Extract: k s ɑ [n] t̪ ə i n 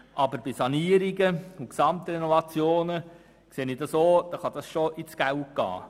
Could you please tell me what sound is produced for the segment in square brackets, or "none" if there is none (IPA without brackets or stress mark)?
m